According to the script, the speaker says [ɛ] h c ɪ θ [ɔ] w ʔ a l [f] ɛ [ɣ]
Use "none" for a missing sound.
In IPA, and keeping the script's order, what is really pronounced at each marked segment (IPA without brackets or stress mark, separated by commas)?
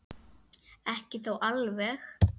ɛ, o, v, x